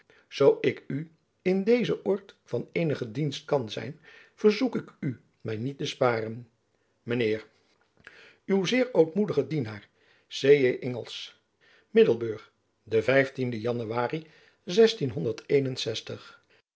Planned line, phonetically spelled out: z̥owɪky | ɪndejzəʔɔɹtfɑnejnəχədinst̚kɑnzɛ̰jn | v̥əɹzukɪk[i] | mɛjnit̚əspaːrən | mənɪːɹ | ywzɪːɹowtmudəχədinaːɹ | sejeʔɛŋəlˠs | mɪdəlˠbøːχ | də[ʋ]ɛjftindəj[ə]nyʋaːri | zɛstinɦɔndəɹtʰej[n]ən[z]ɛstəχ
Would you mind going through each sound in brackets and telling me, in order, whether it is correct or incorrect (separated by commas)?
incorrect, incorrect, incorrect, correct, incorrect